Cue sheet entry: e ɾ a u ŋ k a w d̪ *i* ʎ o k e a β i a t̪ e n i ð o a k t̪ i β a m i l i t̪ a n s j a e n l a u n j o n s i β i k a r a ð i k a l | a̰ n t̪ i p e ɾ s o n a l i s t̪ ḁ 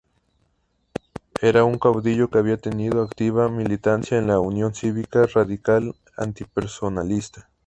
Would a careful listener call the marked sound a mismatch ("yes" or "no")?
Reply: no